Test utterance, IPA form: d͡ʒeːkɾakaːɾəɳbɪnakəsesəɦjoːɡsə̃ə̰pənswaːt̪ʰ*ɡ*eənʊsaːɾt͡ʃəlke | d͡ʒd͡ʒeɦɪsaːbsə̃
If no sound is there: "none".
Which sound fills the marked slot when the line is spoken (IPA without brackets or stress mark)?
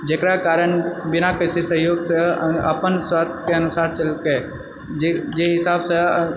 k